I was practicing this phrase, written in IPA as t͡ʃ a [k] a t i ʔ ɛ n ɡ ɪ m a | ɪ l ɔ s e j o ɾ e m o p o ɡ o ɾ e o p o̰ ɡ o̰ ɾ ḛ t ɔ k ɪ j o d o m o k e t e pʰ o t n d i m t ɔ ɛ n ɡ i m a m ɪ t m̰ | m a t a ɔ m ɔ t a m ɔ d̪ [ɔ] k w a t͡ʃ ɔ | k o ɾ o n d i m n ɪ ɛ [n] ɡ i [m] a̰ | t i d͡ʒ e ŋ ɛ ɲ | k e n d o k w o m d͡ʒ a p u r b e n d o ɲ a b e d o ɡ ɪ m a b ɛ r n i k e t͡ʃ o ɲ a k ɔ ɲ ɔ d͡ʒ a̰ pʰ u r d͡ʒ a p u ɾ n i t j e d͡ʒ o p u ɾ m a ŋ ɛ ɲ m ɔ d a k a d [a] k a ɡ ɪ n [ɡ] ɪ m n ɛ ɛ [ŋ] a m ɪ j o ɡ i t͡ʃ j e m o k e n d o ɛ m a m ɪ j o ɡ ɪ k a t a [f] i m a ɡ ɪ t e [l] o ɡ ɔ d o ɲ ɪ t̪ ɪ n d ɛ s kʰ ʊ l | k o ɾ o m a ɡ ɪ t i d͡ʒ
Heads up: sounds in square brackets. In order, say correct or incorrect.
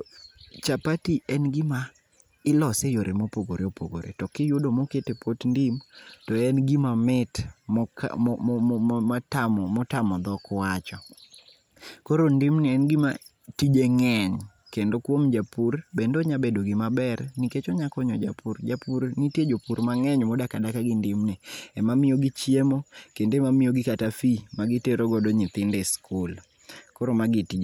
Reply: incorrect, correct, correct, correct, correct, incorrect, incorrect, correct, incorrect

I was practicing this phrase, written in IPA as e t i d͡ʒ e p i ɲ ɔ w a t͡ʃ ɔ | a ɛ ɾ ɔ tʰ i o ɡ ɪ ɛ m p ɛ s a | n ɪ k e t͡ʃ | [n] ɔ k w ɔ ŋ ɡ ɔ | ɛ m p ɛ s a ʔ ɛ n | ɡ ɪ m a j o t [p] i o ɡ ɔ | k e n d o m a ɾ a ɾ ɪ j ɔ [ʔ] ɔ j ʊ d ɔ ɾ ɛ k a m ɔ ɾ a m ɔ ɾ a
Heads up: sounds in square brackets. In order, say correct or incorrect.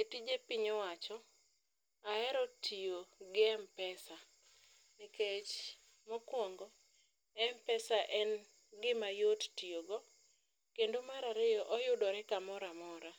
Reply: incorrect, incorrect, correct

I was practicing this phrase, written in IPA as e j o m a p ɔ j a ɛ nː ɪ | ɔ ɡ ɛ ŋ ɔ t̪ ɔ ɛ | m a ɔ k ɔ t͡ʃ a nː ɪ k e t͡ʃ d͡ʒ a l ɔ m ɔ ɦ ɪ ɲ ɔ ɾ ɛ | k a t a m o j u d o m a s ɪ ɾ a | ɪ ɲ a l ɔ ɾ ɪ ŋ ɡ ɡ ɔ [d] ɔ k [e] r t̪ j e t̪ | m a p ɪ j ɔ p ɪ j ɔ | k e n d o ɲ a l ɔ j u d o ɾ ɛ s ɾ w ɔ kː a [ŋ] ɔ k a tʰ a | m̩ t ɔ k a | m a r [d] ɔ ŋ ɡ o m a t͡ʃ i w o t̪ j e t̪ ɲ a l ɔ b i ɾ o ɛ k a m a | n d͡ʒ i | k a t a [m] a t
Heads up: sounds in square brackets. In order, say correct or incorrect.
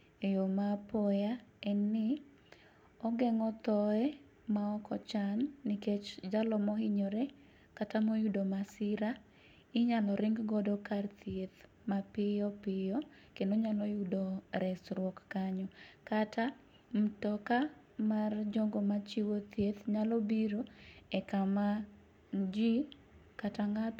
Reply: correct, incorrect, incorrect, incorrect, incorrect

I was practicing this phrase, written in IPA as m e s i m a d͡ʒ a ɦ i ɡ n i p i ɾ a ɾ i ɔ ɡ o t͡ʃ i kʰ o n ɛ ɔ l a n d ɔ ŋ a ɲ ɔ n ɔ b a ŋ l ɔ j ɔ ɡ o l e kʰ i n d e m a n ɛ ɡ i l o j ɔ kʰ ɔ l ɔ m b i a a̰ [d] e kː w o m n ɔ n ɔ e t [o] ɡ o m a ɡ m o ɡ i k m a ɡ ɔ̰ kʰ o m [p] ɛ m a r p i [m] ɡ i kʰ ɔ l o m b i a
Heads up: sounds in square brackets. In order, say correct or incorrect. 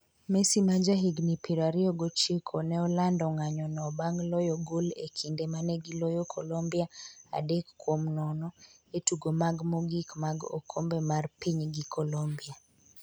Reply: correct, incorrect, incorrect, incorrect

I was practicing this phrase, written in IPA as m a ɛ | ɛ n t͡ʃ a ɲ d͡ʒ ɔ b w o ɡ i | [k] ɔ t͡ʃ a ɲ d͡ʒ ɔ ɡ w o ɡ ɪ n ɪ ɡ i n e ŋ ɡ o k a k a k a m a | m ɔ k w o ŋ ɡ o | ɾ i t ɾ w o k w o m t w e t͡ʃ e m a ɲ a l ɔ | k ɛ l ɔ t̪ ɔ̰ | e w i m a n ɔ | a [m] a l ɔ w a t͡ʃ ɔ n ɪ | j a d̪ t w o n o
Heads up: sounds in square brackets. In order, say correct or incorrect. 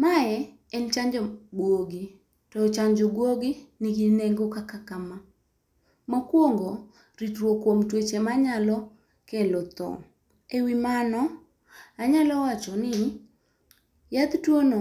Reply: incorrect, incorrect

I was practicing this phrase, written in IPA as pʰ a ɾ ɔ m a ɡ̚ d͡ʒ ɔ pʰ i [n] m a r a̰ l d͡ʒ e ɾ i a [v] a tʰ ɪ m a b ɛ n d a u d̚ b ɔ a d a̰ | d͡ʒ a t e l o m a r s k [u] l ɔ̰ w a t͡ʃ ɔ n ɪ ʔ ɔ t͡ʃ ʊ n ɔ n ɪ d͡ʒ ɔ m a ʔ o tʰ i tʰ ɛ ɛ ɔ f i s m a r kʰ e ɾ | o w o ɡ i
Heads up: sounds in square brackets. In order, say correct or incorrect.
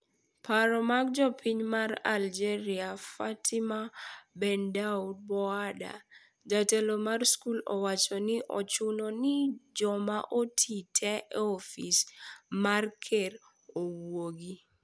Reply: incorrect, incorrect, correct

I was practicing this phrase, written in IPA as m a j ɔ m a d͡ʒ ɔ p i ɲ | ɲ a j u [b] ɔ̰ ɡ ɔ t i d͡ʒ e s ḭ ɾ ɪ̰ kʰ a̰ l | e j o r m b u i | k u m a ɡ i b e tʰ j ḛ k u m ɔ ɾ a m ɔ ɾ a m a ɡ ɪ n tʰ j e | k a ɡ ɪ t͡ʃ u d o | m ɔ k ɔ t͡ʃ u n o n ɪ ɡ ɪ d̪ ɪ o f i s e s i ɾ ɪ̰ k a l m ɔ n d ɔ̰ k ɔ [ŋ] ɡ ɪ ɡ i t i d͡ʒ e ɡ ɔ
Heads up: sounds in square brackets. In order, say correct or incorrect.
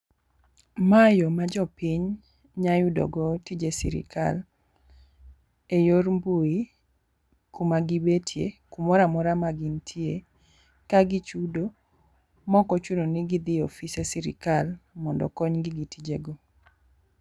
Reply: incorrect, incorrect

